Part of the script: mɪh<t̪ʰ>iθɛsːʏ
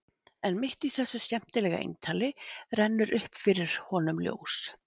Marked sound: incorrect: t̪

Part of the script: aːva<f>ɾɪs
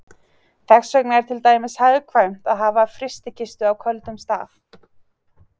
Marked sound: correct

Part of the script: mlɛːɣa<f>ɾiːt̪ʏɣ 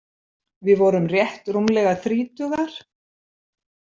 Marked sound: incorrect: θ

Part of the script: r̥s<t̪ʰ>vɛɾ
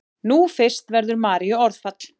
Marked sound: incorrect: t̪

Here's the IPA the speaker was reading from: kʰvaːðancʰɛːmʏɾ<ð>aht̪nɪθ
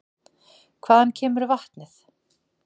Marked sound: incorrect: v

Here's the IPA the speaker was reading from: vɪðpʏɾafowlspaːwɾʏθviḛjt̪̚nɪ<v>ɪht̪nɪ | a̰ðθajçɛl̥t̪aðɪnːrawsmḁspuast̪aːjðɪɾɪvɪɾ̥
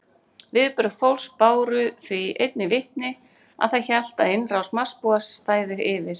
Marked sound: correct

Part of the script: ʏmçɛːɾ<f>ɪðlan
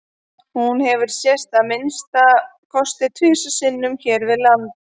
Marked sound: incorrect: v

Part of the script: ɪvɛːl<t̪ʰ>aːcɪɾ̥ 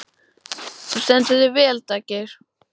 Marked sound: incorrect: t̪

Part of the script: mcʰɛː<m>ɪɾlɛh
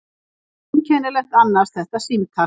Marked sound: incorrect: n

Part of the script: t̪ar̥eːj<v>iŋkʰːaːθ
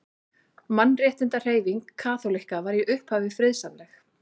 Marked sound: correct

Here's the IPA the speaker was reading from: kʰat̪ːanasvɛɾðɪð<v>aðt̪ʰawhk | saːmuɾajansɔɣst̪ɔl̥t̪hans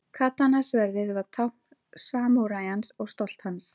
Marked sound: correct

